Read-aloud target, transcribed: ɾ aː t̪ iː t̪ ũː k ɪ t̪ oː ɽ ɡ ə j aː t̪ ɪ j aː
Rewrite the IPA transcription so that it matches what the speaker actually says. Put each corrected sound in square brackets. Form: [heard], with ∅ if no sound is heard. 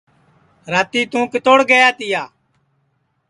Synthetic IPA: ɾ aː t̪ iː t̪ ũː k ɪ t̪ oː ɽ ɡ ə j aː t̪ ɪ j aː